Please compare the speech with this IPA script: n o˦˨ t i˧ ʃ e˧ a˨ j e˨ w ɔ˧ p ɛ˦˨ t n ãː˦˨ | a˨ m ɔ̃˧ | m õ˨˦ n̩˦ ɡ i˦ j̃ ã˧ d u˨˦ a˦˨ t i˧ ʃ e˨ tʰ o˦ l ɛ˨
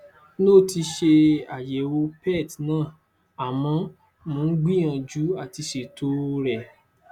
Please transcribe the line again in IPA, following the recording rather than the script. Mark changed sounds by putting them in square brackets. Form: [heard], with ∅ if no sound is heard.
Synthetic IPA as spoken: n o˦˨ t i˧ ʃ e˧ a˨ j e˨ w [o˧] p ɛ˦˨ t n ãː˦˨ | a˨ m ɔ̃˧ | m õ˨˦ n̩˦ [ɡ͡b] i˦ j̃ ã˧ [d͡ʒ] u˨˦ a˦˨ t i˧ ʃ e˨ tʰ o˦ [ɾ] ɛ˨